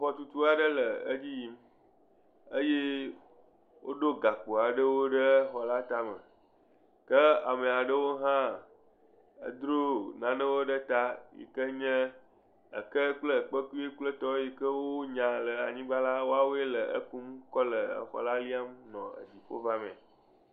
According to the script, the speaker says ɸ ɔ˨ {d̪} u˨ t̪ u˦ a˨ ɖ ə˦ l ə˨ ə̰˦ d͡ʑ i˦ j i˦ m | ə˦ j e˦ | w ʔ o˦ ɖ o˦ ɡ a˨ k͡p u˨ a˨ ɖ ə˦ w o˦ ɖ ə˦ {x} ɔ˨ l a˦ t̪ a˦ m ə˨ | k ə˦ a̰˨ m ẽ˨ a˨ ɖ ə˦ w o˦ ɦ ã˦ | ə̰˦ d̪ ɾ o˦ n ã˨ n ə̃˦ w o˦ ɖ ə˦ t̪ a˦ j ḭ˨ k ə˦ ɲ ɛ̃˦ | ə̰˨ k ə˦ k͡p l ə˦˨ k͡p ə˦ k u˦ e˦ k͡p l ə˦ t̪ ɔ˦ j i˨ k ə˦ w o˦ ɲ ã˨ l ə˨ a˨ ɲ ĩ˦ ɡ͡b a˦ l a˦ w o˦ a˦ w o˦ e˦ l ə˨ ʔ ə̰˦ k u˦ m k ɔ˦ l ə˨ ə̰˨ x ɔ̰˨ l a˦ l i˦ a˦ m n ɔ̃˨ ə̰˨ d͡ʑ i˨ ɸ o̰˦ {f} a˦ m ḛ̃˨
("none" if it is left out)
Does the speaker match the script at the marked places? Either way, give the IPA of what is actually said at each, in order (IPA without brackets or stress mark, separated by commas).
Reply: t̪, x, v